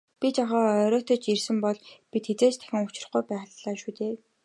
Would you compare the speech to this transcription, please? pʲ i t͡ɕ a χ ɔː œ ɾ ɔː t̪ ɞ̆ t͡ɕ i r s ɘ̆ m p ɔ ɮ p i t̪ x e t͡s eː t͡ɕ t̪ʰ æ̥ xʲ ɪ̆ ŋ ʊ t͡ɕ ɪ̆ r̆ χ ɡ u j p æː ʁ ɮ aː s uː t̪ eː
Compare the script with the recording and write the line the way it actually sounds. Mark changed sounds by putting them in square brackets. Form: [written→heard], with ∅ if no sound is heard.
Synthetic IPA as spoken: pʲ i t͡ɕ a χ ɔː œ ɾ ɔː t̪ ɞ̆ t͡ɕ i r s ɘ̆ m p ɔ ɮ p i t̪ x e t͡s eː t͡ɕ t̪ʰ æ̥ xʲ ɪ̆ ŋ ʊ t͡ɕ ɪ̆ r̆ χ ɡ u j p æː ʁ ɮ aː [s→ʃ] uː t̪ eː

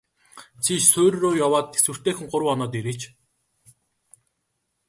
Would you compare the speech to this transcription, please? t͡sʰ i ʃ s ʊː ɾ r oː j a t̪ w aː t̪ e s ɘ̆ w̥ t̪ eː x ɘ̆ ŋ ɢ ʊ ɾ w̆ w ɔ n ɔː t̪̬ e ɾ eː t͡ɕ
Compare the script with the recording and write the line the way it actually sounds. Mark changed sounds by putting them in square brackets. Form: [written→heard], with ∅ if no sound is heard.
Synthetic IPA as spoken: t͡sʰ i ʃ s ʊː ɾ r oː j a [t̪→∅] w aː t̪ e s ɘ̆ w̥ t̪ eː x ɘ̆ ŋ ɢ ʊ ɾ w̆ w ɔ n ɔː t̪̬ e ɾ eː t͡ɕ

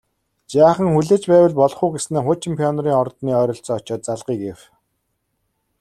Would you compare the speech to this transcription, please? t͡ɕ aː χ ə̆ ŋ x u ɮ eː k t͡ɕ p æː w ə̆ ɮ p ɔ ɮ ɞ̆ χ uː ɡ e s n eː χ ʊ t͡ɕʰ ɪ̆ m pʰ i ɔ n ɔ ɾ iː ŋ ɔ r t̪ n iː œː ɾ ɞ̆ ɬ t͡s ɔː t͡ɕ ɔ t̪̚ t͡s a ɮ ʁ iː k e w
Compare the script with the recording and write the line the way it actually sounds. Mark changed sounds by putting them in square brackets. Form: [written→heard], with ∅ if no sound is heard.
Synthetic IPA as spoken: t͡ɕ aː χ ə̆ ŋ x u ɮ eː [k→∅] t͡ɕ p æː w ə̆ ɮ p ɔ ɮ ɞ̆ χ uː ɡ e s n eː χ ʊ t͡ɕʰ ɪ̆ m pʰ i ɔ n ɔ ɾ iː ŋ ɔ r t̪ n iː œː ɾ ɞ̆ ɬ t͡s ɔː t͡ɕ [ɔ→ɔː] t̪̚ t͡s a ɮ ʁ iː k e w

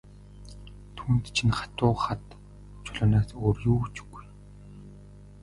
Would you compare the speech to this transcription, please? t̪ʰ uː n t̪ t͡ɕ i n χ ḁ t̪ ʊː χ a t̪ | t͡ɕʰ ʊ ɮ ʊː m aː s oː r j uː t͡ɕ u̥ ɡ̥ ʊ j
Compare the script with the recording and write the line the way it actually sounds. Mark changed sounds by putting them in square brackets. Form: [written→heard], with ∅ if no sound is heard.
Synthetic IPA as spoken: t̪ʰ uː n t̪ [t͡ɕ→t͡ɕʰ] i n χ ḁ t̪ ʊː χ a t̪ | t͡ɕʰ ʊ ɮ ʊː [m→n] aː s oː r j uː t͡ɕ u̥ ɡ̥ [ʊ→u] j

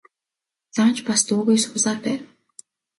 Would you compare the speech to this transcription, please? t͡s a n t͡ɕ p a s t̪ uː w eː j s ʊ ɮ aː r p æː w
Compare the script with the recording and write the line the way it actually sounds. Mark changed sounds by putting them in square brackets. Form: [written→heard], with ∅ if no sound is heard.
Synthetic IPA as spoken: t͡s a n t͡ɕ p a s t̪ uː [w→ɣ] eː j s ʊ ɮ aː r p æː w

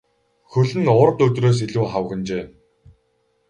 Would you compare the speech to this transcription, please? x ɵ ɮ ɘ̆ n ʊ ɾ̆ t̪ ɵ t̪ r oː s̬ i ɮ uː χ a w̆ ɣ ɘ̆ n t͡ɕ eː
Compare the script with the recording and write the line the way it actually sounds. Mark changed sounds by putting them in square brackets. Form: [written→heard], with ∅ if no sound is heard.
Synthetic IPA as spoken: x ɵ ɮ ɘ̆ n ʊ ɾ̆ t̪ ɵ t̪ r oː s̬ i ɮ uː χ a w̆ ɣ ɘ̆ n t͡ɕ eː

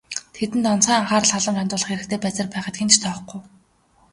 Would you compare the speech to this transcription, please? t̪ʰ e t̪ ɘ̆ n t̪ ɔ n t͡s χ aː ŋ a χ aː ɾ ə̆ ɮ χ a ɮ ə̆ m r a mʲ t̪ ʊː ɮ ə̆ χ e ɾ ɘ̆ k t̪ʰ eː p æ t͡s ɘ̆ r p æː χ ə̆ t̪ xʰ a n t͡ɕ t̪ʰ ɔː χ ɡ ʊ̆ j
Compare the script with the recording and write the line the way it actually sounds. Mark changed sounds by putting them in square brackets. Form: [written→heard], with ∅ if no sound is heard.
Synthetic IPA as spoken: t̪ʰ e t̪ ɘ̆ n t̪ ɔ n t͡s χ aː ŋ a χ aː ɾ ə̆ ɮ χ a ɮ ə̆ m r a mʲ t̪ ʊː ɮ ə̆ χ e ɾ ɘ̆ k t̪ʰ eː p æ t͡s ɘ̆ r p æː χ ə̆ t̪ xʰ [a→e] n t͡ɕ t̪ʰ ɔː χ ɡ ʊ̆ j

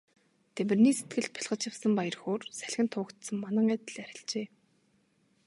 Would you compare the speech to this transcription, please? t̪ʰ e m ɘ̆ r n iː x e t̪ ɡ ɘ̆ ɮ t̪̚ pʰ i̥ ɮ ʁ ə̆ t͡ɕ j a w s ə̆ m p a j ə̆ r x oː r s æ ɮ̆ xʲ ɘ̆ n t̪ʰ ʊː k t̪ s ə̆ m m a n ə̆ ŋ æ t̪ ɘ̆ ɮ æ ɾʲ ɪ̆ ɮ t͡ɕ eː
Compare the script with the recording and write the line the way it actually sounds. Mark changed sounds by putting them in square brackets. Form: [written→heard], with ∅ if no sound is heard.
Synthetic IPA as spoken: t̪ʰ e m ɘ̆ r n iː [x→s] e t̪ ɡ ɘ̆ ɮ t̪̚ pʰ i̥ ɮ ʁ ə̆ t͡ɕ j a w s ə̆ m p a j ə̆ r x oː r s æ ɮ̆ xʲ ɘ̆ n t̪ʰ ʊː k t̪ s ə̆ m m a n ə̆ ŋ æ t̪ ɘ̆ ɮ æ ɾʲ ɪ̆ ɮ t͡ɕ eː

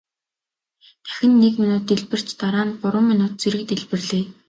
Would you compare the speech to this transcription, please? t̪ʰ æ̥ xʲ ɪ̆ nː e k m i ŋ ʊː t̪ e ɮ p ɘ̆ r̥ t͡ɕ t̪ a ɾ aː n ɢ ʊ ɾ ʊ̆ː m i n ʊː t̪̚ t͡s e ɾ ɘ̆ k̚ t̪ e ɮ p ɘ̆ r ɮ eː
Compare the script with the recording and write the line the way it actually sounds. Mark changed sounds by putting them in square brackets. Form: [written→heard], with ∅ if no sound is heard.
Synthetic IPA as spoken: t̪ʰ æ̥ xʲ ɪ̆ nː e k m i [ŋ→n] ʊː t̪ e ɮ p ɘ̆ r̥ t͡ɕ t̪ a ɾ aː n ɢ ʊ ɾ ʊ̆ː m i n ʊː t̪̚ t͡s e ɾ ɘ̆ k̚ t̪ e ɮ p ɘ̆ r ɮ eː

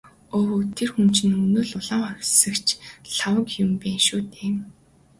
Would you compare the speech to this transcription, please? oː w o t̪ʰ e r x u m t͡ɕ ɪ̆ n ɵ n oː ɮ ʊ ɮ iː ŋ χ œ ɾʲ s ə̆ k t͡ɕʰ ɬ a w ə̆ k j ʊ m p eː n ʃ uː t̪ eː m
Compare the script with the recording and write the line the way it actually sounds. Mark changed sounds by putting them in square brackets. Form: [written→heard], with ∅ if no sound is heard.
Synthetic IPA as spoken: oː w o t̪ʰ e r x u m t͡ɕ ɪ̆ n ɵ n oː ɮ ʊ ɮ [iː→aː] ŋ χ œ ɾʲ s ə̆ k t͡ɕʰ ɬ a w ə̆ k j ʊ m p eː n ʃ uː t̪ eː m

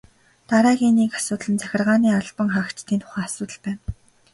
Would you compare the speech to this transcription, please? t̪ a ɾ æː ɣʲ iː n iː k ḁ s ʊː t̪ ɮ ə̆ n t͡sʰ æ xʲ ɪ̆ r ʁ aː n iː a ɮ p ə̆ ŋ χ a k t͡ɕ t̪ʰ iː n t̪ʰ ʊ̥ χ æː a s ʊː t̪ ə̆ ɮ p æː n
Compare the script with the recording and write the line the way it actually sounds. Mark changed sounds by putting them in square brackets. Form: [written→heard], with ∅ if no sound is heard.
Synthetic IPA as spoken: t̪ a ɾ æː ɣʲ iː n iː k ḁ s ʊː t̪ ɮ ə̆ n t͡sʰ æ xʲ ɪ̆ r ʁ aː n iː a ɮ p ə̆ ŋ χ a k t͡ɕ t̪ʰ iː n t̪ʰ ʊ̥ χ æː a s ʊː t̪ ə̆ ɮ p æː n

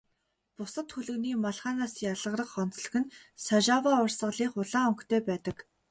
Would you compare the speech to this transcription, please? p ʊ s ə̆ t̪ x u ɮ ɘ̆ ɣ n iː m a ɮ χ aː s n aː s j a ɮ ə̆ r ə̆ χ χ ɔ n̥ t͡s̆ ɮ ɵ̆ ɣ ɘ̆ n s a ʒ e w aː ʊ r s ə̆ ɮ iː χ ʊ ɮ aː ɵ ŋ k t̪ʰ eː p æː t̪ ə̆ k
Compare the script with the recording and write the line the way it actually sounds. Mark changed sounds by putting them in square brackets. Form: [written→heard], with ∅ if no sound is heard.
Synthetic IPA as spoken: p ʊ s ə̆ t̪ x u ɮ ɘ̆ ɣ n iː m a ɮ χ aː [s→∅] n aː s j a ɮ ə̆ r ə̆ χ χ ɔ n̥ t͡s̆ ɮ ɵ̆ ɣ ɘ̆ n s a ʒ [e→a] w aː ʊ r s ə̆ ɮ iː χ ʊ ɮ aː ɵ ŋ k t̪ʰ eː p æː t̪ ə̆ k

